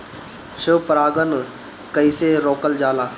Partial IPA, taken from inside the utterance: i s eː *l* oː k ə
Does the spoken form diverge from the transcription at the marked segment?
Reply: yes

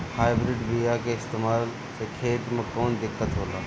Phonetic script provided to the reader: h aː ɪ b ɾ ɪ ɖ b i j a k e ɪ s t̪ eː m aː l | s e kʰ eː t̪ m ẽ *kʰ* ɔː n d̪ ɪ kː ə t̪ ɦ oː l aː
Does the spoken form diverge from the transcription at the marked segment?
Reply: yes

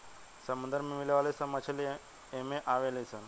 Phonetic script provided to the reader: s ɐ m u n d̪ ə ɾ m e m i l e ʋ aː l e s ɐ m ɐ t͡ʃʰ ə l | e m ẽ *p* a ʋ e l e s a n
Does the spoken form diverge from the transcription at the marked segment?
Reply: yes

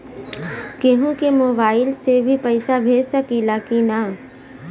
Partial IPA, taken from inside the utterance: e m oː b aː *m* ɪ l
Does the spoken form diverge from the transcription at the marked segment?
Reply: yes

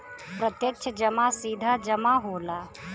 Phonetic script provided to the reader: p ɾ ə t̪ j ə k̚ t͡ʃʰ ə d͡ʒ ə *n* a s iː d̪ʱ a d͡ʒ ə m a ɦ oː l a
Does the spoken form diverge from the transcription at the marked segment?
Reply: yes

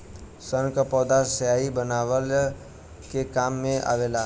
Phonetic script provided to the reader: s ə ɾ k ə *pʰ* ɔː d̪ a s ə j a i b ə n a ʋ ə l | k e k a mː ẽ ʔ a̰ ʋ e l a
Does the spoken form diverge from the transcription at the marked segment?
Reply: yes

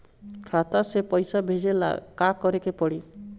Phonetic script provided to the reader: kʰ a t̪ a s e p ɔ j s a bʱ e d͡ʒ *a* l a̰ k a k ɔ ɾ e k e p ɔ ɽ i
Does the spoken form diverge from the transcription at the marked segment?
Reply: yes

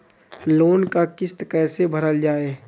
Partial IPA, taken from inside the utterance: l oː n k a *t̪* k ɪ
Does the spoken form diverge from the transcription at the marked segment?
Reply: yes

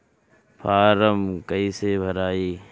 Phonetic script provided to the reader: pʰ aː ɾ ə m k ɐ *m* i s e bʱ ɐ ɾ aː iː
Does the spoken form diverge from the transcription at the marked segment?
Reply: yes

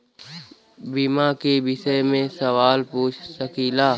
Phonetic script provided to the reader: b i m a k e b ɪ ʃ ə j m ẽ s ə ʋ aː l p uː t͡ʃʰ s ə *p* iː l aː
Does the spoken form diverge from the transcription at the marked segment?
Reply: yes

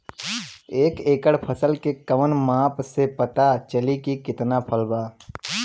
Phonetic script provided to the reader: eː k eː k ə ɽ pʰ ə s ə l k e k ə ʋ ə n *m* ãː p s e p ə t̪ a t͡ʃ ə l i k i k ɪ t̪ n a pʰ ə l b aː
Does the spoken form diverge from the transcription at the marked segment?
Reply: no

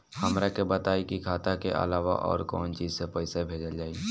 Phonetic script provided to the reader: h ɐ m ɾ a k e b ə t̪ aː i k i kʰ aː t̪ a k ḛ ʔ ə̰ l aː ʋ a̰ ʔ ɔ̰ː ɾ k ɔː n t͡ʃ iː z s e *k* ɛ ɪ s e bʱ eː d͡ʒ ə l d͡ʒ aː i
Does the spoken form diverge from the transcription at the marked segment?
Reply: yes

